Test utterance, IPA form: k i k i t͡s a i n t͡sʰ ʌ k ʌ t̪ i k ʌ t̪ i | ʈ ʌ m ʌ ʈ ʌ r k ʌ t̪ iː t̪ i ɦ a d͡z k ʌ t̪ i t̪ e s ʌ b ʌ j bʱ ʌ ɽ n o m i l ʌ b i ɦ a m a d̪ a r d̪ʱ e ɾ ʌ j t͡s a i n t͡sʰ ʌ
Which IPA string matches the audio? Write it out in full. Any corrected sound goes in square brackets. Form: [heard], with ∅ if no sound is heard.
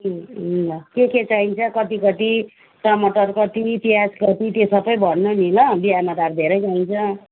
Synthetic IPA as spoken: k [e] k [e] t͡s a i n t͡sʰ ʌ k ʌ t̪ i k ʌ t̪ i | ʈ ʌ m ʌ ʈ ʌ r k ʌ t̪ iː t̪ i ɦ a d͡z k ʌ t̪ i t̪ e s ʌ b ʌ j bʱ ʌ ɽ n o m i l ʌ b i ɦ a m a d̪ a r d̪ʱ e ɾ ʌ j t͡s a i n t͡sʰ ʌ